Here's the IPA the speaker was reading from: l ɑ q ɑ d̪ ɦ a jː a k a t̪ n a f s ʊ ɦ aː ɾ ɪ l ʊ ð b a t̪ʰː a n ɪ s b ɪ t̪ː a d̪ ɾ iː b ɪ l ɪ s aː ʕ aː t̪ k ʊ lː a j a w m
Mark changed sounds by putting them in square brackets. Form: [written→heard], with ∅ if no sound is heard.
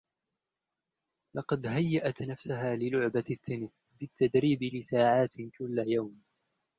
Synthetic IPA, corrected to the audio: l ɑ q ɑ d̪ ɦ a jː a [k→ʔ] a t̪ n a f s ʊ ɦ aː [ɾ→l] ɪ l ʊ [ð→ʕ] b a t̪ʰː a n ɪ s b ɪ t̪ː a d̪ ɾ iː b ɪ l ɪ s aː ʕ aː t̪ k ʊ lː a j a w m

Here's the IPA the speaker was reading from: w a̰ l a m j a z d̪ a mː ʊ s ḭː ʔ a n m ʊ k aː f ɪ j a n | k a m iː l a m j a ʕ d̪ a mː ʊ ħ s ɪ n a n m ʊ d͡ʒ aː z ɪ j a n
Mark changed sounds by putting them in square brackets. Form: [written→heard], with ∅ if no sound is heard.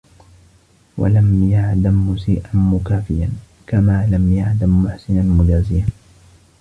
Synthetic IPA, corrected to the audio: w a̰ l a m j a [z→ʕ] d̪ a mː ʊ s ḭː ʔ a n m ʊ k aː f ɪ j a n | k a m [iː→aː] l a m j a ʕ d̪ a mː ʊ ħ s ɪ n a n m ʊ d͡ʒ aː z ɪ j a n

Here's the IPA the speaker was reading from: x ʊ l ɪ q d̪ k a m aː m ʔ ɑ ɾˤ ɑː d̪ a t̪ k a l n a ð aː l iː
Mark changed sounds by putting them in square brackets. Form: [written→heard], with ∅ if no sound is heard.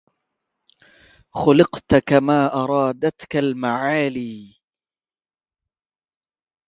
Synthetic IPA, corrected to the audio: x ʊ l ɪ q [d̪→t̪] k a m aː [m→∅] ʔ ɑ ɾˤ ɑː d̪ a t̪ k a l [n→m] a [ð→ʕ] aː l iː

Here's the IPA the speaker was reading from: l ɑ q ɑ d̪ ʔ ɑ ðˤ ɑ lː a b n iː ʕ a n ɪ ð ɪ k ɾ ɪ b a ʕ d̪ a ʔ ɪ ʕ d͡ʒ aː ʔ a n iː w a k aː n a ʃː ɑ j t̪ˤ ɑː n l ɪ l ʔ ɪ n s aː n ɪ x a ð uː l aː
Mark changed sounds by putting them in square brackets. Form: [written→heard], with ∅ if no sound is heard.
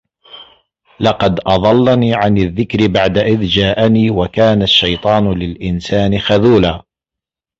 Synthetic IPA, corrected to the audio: l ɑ q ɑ d̪ ʔ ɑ ðˤ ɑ lː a [b→∅] n iː ʕ a n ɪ [ð→ðː] ɪ k ɾ ɪ b a ʕ d̪ a ʔ ɪ [ʕ→ð] d͡ʒ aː ʔ a n iː w a k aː n a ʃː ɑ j t̪ˤ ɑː n l ɪ l ʔ ɪ n s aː n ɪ x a ð uː l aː

